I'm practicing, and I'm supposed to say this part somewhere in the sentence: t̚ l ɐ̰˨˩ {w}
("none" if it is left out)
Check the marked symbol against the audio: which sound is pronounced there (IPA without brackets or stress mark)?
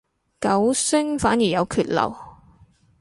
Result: w